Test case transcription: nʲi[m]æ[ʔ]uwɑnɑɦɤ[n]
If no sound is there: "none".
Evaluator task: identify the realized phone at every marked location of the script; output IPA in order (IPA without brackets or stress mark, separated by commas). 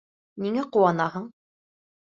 ŋ, q, ɴ